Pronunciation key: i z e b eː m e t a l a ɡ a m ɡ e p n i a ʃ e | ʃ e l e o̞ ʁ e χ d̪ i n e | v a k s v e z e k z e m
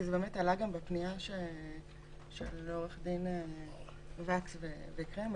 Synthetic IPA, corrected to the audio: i z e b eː m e t a l a ɡ a m b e p n i a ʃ e | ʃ e l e o̞ ʁ e χ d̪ i n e | v a k s v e v e k ʁ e m